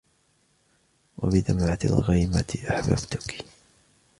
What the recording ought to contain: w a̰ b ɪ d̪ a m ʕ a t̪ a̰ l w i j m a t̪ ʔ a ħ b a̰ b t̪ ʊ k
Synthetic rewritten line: w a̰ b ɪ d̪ a m ʕ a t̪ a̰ l ɣ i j m a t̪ ʔ a ħ b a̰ b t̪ ʊ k